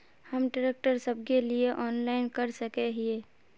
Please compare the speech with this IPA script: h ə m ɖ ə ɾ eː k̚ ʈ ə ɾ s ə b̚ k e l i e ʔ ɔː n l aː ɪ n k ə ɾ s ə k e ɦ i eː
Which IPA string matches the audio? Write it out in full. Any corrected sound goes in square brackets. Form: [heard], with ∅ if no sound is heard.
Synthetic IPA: h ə m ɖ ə ɾ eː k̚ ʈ ə ɾ s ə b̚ k e l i e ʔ ɔː n l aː ɪ n k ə ɾ s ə k e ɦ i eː

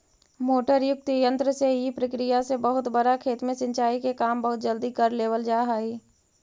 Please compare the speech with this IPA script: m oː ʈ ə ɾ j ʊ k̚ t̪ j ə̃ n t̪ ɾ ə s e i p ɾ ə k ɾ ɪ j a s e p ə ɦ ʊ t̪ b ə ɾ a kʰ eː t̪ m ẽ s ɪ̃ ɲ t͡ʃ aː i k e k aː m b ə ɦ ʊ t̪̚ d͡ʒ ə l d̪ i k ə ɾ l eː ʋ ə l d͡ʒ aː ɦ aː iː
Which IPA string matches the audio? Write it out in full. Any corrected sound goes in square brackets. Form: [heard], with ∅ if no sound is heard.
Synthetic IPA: m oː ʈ ə ɾ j ʊ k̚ t̪ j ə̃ n t̪ ɾ ə s e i p ɾ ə k ɾ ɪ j a s e [b] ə ɦ ʊ t̪ b ə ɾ a kʰ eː t̪ m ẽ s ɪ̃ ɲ t͡ʃ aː i k e k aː m b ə ɦ ʊ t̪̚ d͡ʒ ə l d̪ i k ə ɾ l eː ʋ ə l d͡ʒ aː ɦ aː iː

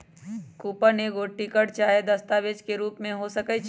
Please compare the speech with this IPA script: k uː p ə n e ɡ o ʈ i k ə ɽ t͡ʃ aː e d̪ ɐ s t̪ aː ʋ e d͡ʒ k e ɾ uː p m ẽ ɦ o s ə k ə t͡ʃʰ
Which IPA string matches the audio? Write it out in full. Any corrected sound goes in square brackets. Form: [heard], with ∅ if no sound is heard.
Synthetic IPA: k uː p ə n e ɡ o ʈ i k ə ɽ t͡ʃ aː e d̪ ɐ s t̪ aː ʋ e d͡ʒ k e ɾ uː p m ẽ ɦ o s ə k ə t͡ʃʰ

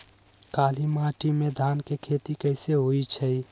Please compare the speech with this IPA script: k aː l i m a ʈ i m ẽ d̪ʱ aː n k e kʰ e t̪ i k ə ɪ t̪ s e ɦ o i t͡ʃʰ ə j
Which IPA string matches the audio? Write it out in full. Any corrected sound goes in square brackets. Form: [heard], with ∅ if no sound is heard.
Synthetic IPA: k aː l i m a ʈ i m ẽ d̪ʱ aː n k e kʰ e t̪ i k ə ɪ [∅] s e ɦ o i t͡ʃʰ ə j

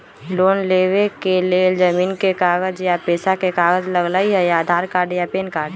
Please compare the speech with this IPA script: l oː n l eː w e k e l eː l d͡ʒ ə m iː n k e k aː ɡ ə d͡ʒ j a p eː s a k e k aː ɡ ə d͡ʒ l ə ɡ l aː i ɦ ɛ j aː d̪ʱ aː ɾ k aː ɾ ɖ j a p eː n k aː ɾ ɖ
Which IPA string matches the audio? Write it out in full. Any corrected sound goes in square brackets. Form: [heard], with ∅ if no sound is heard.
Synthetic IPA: l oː n l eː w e k e l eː l d͡ʒ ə m iː n k e k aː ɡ ə d͡ʒ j a p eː s a k e k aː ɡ ə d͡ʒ l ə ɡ l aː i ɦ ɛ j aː d̪ʱ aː ɾ k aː ɾ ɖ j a p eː n k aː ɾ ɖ

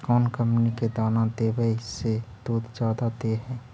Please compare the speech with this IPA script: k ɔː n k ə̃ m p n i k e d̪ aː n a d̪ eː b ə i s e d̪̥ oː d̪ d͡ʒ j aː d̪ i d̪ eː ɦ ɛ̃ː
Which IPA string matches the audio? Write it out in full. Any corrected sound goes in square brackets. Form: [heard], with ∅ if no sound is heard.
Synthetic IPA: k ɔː n k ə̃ m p n i k e d̪ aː n a d̪ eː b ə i s e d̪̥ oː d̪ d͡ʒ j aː d̪ [a] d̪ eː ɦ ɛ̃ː

